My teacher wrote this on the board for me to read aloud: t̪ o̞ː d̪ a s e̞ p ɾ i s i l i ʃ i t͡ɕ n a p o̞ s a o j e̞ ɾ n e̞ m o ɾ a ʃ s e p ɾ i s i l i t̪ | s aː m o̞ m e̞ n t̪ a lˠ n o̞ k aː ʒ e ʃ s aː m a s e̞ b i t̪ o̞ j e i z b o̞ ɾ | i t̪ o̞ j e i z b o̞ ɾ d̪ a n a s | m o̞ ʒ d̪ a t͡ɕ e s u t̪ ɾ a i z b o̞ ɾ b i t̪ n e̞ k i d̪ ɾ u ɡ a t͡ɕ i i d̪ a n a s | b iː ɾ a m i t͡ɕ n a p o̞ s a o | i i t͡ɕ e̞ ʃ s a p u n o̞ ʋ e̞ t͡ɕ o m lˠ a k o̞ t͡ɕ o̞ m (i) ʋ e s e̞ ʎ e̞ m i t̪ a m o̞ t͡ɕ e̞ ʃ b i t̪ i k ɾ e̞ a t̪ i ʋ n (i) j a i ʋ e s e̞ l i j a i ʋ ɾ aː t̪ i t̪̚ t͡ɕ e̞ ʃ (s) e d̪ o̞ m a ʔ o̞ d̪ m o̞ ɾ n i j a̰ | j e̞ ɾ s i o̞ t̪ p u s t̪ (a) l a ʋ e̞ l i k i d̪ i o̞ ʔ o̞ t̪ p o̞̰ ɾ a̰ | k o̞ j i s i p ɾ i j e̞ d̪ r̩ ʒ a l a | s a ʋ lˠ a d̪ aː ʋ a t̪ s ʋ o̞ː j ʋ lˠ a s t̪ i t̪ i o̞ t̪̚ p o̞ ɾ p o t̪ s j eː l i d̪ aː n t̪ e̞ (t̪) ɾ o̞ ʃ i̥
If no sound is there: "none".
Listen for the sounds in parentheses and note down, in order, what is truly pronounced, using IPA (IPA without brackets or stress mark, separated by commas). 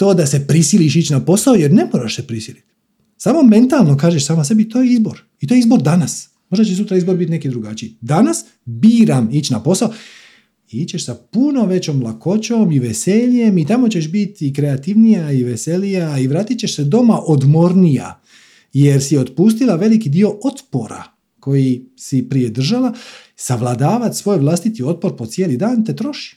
i, i, s, i, t̪